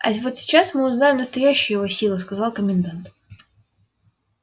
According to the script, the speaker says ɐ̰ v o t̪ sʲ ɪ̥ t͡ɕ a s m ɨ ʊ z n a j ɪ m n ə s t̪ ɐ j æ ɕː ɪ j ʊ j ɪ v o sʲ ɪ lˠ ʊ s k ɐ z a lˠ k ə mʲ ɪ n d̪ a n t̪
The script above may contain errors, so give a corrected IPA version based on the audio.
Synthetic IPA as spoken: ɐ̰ v o t̪ sʲ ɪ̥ t͡ɕ a s m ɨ ʊ z n a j ɪ m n ə s t̪ ɐ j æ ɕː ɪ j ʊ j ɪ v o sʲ i lˠ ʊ s k ɐ z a lˠ k ə mʲ ɪ n d̪ a n t̪